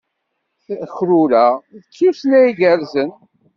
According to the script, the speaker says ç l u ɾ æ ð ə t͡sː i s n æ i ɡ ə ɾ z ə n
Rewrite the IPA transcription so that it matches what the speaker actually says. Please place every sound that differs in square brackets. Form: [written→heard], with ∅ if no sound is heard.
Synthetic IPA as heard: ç [l→ɾ] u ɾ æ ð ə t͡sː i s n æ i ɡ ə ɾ z ə n